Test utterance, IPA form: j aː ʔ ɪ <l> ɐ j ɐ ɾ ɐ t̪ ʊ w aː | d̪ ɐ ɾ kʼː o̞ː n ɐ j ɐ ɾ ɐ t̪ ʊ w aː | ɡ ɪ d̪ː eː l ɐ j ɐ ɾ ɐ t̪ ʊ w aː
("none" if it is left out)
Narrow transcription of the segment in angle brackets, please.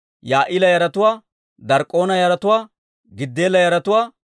l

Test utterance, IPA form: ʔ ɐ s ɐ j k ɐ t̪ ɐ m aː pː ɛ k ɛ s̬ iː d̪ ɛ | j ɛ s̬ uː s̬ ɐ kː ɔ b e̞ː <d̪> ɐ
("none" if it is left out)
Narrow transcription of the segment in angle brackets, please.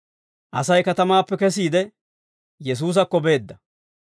d̪ː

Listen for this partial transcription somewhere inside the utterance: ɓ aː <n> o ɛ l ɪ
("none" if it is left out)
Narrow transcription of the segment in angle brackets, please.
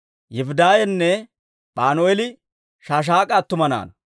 n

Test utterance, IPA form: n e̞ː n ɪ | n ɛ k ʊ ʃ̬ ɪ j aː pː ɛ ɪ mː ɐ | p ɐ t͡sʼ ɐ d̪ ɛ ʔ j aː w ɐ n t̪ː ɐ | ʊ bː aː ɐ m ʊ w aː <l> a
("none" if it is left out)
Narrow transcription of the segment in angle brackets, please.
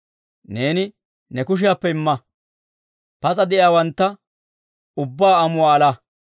l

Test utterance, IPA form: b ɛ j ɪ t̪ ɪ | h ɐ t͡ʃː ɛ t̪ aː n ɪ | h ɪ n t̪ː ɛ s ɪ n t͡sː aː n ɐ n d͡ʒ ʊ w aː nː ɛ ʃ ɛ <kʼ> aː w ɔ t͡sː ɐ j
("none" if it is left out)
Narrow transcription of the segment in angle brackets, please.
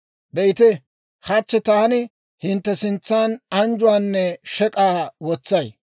kʼ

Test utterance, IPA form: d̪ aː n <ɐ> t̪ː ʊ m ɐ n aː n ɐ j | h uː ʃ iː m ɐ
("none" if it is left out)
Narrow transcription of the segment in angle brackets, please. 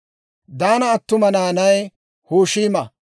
ɐː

